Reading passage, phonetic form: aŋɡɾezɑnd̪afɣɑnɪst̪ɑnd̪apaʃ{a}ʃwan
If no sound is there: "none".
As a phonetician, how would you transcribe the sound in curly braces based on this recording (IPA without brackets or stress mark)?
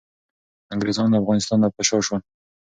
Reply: ɑ